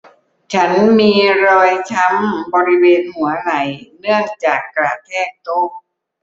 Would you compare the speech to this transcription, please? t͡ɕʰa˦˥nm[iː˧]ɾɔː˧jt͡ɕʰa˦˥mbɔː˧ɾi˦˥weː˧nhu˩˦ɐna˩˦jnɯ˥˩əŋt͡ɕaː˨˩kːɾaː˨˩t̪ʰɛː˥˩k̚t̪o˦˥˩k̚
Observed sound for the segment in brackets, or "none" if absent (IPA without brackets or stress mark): iː˧